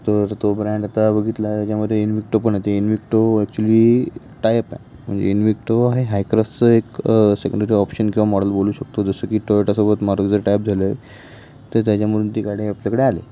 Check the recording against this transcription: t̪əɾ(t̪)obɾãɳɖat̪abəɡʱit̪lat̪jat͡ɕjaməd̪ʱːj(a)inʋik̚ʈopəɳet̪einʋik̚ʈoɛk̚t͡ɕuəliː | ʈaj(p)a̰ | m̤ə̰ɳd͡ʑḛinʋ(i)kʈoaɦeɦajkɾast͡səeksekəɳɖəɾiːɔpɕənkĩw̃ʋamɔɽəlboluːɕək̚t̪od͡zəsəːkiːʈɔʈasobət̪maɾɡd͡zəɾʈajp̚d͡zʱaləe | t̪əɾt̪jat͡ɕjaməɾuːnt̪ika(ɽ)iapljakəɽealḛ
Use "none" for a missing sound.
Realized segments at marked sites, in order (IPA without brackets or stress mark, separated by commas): t̪, e, p, i, ɽ